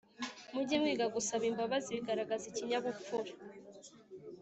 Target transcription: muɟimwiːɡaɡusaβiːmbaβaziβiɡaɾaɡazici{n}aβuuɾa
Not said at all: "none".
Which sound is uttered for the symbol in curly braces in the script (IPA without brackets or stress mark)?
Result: ɲ